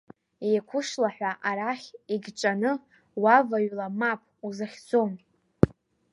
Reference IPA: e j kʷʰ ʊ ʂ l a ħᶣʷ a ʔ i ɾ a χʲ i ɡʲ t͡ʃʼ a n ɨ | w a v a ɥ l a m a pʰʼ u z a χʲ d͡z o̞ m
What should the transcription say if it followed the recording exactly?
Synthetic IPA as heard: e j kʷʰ ʊ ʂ l a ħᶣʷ a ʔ a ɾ a χʲ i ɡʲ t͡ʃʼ a n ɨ | w a v a ɥ l a m a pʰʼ u z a χʲ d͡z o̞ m